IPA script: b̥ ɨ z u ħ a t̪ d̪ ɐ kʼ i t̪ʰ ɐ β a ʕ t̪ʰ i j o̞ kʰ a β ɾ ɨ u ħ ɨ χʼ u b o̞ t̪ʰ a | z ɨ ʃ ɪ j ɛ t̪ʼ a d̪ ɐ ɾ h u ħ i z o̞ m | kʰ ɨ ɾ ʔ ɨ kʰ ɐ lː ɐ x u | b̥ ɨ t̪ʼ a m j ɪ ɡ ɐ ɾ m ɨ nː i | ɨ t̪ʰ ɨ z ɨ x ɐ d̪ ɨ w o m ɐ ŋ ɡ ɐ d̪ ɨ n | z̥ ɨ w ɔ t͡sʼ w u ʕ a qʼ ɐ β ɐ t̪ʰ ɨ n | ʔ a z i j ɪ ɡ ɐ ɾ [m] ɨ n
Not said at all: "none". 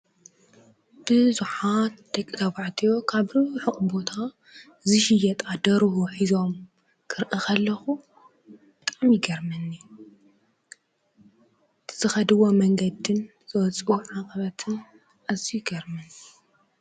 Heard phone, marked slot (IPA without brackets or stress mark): m